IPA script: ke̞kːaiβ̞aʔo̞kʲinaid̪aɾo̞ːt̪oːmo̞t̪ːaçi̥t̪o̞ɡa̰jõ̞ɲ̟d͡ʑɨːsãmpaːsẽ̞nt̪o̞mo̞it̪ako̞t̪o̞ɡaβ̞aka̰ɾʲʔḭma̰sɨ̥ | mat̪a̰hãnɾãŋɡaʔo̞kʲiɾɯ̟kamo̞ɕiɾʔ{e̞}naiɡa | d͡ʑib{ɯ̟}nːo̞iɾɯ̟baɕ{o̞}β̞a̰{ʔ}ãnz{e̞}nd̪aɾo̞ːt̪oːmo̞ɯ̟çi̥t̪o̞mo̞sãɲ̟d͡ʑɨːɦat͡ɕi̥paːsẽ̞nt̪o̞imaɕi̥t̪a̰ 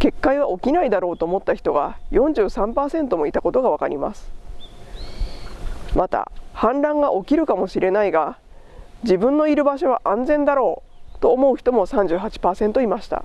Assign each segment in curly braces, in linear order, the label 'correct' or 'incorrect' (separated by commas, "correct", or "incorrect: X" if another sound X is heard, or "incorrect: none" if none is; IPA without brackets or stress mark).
correct, incorrect: ɯ̟̃, correct, correct, incorrect: ẽ̞